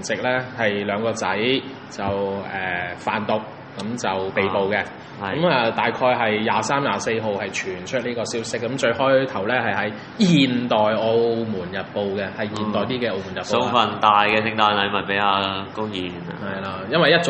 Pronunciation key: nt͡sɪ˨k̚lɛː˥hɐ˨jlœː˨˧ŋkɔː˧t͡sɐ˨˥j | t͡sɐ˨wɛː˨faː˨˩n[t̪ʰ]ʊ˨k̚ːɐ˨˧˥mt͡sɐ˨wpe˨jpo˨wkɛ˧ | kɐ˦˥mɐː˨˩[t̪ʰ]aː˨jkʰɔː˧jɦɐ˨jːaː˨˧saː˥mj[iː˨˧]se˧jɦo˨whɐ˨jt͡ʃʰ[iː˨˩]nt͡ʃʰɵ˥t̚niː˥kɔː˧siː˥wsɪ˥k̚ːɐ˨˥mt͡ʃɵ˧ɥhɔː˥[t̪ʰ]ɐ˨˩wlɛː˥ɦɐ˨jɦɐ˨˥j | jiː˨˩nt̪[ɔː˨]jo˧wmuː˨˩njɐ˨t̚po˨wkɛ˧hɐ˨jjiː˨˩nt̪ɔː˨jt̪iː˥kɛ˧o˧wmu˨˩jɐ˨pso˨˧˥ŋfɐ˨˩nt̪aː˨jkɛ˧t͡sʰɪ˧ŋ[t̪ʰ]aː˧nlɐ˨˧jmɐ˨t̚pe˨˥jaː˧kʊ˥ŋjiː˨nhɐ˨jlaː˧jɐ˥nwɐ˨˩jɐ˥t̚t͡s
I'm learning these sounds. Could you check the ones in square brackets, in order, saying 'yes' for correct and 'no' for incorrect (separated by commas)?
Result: no, no, no, no, yes, yes, no